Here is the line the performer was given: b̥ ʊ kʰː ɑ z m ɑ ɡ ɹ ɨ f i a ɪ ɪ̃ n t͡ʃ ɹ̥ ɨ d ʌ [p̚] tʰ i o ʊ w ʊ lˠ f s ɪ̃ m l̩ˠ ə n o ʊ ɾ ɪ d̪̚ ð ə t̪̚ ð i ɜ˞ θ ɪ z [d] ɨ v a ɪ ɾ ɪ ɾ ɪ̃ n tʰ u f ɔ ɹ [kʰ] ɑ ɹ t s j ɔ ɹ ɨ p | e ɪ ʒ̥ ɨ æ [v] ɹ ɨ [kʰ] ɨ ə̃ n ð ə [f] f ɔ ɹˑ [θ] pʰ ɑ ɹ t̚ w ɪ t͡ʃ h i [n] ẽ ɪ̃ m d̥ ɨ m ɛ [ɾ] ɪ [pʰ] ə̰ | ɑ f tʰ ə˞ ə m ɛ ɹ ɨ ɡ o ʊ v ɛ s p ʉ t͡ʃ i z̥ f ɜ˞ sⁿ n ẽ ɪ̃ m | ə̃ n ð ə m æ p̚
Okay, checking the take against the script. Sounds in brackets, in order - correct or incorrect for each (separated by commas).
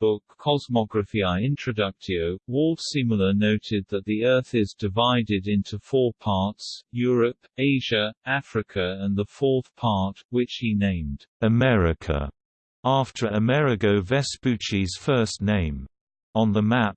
incorrect, correct, incorrect, incorrect, correct, correct, correct, correct, incorrect, incorrect